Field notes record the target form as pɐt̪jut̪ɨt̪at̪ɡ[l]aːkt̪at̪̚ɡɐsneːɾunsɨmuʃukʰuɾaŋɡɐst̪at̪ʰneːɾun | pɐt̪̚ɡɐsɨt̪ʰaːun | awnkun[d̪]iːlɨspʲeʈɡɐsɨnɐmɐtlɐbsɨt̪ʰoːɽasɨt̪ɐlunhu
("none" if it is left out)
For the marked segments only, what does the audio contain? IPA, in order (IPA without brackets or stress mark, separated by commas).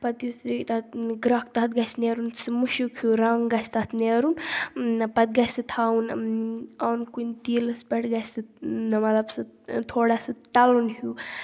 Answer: ɾ, t̪